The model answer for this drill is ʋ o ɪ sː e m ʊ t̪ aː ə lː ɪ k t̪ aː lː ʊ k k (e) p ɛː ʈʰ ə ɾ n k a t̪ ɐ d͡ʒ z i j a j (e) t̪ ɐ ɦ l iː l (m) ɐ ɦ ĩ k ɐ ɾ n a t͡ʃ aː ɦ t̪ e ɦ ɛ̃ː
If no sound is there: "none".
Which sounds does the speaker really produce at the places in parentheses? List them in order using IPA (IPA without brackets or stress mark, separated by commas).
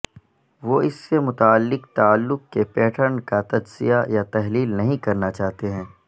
e, a, n